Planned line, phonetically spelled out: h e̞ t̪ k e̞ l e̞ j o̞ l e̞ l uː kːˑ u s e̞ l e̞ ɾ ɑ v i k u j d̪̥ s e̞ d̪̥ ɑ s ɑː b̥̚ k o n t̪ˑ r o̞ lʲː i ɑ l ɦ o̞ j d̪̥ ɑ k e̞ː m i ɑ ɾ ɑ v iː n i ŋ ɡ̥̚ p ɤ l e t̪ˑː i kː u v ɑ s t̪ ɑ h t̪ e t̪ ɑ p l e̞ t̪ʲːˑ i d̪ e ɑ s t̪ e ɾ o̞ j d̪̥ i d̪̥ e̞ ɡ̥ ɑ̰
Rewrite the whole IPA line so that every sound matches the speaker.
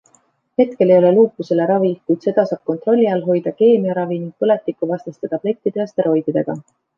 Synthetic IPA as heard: h e̞ t̪ k e̞ l e̞ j o̞ l e̞ l uː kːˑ u s e̞ l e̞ ɾ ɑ v i k u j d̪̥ s e̞ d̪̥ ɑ s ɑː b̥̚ k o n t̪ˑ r o̞ lʲː i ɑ l ɦ o̞ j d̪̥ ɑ k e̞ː m i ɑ ɾ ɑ v i n i ŋ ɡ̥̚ p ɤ l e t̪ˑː i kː u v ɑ s t̪ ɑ s t̪ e t̪ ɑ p l e̞ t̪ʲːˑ i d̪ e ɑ s t̪ e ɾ o̞ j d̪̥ i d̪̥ e̞ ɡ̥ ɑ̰